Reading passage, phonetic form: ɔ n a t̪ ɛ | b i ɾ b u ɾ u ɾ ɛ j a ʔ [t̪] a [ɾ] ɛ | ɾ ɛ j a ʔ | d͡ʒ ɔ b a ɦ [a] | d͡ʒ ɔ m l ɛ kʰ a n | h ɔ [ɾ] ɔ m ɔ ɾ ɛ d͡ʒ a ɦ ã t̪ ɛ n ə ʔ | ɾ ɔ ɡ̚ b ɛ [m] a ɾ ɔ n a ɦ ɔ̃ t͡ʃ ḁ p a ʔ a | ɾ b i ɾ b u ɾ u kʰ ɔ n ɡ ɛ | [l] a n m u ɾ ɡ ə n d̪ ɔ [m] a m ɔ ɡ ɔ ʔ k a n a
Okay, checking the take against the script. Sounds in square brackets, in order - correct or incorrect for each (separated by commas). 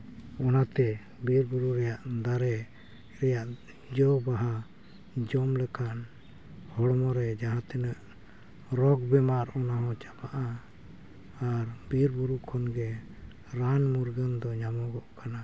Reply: incorrect, correct, correct, incorrect, correct, incorrect, incorrect